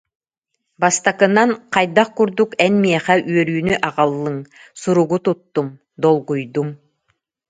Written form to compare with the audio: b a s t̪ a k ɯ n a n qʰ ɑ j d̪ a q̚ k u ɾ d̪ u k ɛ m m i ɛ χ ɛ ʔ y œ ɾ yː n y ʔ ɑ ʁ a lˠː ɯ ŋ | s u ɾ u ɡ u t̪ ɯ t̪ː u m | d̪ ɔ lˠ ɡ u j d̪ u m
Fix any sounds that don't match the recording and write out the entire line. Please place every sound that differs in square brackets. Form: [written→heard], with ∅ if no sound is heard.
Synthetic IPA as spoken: b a s t̪ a k ɯ n a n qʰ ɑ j d̪ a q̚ k u ɾ d̪ u k ɛ [m→n] m i ɛ χ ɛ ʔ y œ ɾ yː n y ʔ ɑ ʁ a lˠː ɯ ŋ | s u ɾ u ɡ u t̪ [ɯ→u] t̪ː u m | d̪ ɔ lˠ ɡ u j d̪ u m